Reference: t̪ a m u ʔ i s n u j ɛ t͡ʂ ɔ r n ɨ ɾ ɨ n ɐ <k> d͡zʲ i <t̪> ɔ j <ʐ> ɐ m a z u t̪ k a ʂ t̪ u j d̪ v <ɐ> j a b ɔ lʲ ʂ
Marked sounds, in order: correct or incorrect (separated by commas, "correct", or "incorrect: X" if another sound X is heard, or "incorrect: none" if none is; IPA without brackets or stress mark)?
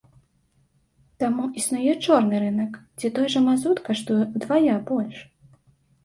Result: correct, correct, correct, incorrect: a